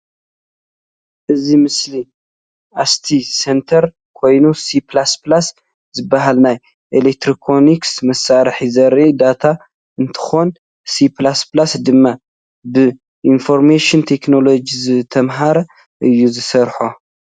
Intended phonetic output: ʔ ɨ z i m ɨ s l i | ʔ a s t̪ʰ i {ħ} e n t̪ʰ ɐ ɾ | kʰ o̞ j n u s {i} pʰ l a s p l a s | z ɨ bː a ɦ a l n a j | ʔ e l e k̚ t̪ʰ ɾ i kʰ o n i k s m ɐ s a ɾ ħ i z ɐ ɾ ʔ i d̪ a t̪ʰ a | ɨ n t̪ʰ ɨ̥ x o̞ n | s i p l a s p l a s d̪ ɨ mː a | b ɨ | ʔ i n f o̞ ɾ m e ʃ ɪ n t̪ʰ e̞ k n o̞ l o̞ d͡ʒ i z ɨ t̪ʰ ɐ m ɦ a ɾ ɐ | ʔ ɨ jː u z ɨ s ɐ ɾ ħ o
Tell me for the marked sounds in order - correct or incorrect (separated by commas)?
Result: incorrect, correct